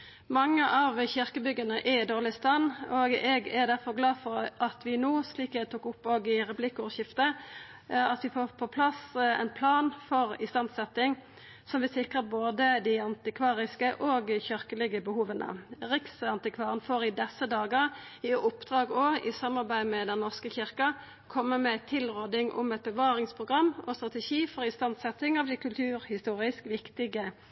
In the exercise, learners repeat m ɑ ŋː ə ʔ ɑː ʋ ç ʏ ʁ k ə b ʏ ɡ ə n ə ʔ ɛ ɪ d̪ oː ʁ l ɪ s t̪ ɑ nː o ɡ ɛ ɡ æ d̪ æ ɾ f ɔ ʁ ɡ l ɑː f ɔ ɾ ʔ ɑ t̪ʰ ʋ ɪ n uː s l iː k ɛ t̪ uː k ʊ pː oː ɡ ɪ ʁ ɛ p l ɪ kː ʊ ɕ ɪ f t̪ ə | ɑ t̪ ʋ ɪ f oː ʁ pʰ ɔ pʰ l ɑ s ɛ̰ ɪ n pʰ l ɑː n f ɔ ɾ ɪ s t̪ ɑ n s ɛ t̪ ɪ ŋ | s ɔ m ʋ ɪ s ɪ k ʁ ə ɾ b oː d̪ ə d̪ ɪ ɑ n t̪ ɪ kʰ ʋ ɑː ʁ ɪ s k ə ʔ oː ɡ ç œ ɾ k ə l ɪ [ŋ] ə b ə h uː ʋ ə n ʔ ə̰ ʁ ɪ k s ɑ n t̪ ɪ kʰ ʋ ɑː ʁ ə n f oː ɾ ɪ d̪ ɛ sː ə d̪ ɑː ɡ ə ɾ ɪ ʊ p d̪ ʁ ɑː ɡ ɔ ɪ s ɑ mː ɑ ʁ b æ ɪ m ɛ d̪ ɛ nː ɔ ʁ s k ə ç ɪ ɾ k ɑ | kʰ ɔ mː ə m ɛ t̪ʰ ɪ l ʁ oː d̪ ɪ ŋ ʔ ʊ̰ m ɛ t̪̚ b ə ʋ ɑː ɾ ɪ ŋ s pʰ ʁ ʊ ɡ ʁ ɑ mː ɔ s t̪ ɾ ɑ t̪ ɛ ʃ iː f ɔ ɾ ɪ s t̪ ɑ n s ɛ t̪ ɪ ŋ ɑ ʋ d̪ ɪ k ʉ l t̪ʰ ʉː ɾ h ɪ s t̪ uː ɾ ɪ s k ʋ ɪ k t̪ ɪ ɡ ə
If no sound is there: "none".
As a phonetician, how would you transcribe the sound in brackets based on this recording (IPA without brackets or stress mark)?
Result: ɡ